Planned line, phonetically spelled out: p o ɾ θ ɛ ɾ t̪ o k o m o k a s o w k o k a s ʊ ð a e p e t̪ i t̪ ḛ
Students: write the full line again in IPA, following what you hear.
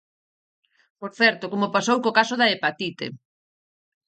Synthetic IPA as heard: p o ɾ θ ɛ ɾ t̪ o k o m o p a s o w k o k a s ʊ ð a e p a t̪ i t̪ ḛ